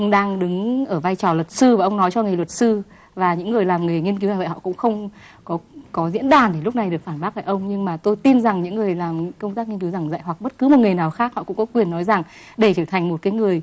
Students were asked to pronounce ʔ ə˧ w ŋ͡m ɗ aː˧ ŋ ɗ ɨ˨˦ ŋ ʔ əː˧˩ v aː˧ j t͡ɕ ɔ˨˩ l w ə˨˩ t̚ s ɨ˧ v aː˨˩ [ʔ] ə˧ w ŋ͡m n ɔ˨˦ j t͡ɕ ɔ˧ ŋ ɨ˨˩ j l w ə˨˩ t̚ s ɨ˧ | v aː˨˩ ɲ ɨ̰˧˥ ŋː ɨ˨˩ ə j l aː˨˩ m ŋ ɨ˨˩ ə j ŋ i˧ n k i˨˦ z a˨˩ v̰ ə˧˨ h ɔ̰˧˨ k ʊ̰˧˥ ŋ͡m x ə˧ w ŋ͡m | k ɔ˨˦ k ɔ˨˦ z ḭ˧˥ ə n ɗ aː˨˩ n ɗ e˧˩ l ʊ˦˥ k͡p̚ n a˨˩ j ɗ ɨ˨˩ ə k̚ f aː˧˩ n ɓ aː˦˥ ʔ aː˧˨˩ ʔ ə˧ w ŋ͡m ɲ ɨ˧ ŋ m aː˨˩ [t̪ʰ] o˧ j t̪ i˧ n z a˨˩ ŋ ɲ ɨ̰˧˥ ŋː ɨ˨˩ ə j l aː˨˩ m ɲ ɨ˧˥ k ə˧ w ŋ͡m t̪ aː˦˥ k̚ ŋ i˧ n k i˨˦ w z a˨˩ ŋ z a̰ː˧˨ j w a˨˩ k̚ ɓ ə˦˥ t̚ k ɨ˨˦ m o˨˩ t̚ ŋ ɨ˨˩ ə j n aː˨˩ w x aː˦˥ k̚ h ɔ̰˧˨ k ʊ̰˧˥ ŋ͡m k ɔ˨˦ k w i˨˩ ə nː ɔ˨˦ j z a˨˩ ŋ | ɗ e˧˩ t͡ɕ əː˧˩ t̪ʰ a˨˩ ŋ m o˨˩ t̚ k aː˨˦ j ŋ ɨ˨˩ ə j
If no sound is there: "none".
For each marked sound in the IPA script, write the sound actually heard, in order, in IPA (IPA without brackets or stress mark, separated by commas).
ʔ, t̪